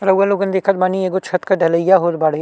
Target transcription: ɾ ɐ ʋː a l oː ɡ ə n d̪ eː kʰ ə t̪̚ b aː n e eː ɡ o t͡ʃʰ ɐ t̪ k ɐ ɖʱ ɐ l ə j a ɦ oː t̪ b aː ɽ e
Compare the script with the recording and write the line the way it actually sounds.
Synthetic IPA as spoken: ɾ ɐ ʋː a l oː ɡ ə n d̪ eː kʰ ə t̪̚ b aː n i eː ɡ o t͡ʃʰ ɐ t̪ k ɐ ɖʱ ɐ l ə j a ɦ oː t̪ b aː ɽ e